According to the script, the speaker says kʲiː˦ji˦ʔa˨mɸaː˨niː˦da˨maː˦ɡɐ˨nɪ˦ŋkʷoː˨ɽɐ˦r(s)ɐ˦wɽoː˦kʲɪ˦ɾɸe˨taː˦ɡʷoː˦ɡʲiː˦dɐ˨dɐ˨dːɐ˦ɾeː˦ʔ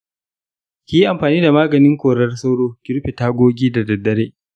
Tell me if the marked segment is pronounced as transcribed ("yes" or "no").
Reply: yes